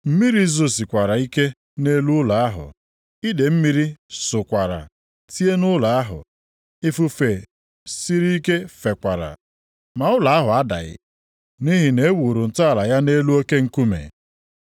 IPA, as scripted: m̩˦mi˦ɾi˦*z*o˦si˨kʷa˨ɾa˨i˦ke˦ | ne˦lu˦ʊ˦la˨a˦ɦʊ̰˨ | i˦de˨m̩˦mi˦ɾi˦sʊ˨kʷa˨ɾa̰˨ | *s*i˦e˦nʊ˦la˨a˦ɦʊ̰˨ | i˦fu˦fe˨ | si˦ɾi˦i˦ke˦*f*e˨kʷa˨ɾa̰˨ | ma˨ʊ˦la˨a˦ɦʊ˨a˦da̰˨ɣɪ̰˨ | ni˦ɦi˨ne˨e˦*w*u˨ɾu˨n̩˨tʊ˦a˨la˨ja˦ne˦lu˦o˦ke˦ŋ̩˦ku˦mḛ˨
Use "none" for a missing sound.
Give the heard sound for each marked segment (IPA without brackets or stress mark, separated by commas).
z, t, f, w